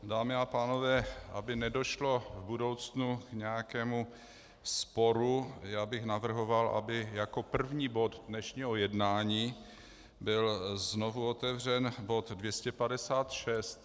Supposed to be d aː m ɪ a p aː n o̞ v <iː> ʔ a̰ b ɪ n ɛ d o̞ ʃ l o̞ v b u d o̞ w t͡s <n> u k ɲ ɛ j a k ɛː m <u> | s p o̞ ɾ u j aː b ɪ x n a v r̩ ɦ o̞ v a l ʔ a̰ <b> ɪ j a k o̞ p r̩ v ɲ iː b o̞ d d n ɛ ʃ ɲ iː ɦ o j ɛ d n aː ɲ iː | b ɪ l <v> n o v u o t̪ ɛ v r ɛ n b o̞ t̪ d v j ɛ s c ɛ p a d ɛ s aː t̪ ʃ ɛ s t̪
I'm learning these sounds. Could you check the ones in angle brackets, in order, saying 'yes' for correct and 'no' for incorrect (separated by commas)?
no, yes, yes, yes, no